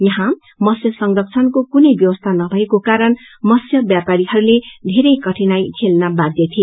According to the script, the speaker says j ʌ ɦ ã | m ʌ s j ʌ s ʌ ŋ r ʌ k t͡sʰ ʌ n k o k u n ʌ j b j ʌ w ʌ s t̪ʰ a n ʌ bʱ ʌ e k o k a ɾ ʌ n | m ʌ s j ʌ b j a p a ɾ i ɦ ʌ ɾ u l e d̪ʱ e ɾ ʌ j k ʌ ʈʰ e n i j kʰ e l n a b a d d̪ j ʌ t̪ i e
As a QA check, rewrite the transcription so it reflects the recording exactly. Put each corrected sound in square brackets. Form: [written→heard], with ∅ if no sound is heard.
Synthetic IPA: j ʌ ɦ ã | m ʌ s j ʌ s ʌ ŋ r ʌ k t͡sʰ ʌ n k o k u n ʌ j b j ʌ w ʌ s t̪ʰ a n ʌ bʱ ʌ e k o k a ɾ ʌ n | m ʌ s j ʌ b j a p a ɾ i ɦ ʌ ɾ u l e d̪ʱ e ɾ ʌ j k ʌ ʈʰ [e→i] n [i→a] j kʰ e l n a b a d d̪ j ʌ [t̪→t̪ʰ] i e